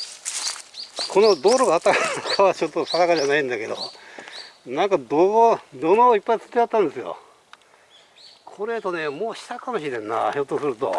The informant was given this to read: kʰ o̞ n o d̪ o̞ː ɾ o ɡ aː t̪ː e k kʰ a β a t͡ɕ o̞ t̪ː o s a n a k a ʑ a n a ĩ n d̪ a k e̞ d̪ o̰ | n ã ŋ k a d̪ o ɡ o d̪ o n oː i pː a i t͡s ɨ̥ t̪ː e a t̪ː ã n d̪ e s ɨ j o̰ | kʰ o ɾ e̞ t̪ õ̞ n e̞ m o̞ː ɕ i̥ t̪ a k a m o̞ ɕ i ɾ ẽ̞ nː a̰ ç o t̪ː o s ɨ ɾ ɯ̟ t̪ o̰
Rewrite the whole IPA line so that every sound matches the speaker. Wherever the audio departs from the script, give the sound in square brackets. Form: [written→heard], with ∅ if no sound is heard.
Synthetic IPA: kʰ o̞ n o d̪ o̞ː ɾ o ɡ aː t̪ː [e→a] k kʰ a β a t͡ɕ o̞ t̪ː o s a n a k a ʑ a n a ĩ n d̪ a k e̞ d̪ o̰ | n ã ŋ k a d̪ o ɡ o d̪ o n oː i pː a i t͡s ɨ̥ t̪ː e a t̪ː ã n d̪ e s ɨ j o̰ | kʰ o ɾ e̞ t̪ [õ̞→o̞] n e̞ m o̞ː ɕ i̥ t̪ a k a m o̞ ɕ i ɾ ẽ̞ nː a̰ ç o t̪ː o s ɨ ɾ ɯ̟ t̪ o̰